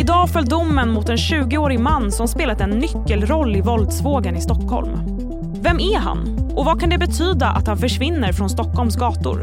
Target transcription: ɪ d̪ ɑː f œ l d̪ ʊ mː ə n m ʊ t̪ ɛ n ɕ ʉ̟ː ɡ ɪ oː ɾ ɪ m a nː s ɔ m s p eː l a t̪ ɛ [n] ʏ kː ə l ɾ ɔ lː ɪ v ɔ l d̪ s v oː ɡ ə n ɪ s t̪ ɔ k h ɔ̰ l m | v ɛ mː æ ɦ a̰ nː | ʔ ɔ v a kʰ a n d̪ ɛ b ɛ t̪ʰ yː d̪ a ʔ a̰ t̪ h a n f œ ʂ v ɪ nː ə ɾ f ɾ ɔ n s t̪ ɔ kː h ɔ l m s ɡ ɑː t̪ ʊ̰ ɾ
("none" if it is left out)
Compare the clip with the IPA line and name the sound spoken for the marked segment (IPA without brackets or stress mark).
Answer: nː